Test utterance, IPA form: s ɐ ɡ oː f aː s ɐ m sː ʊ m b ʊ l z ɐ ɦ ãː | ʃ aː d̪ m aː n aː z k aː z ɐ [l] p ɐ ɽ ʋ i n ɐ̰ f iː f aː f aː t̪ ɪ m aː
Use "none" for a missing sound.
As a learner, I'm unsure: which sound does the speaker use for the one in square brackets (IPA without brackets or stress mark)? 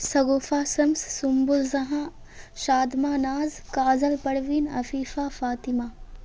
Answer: l